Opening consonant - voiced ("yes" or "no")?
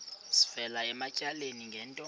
no